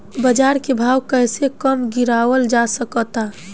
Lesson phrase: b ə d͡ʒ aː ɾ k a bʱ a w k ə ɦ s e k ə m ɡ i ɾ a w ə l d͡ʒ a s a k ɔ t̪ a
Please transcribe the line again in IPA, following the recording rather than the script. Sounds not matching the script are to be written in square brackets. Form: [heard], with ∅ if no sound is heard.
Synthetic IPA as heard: b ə d͡ʒ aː ɾ k [e] bʱ a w k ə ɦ s e k ə m ɡ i ɾ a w ə l d͡ʒ a s [ə] k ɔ t̪ a